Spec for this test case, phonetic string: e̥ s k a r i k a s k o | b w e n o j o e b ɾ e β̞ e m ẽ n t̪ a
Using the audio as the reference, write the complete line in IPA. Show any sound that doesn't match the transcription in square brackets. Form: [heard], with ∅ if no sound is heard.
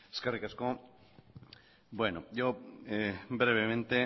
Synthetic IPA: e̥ s k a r i k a s k o | b w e n o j o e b ɾ e β̞ e m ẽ n t̪ [e]